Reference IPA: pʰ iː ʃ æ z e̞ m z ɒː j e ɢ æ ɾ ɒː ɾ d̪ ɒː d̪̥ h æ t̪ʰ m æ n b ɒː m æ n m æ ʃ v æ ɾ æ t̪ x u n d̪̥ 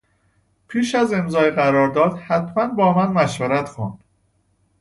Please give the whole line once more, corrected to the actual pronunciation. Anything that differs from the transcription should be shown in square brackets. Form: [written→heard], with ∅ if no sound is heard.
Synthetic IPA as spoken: pʰ iː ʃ æ z e̞ m z ɒː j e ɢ æ ɾ ɒː ɾ d̪ ɒː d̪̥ h æ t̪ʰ m æ n b ɒː m æ n m æ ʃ v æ ɾ æ t̪ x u n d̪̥